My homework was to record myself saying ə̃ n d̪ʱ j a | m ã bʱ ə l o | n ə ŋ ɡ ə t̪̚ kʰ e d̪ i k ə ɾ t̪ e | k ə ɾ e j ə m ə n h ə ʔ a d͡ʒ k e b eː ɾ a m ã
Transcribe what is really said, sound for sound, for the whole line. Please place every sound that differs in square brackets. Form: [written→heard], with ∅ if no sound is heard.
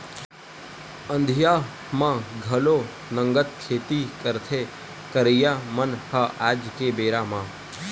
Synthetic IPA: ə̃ n d̪ʱ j a | m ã [bʱ→ɡʱ] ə l o | n ə ŋ ɡ ə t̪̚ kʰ e [d̪→t̪] i k ə ɾ [t̪→t̪ʰ] e | k ə ɾ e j [ə→a] m ə n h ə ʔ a d͡ʒ k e b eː ɾ a m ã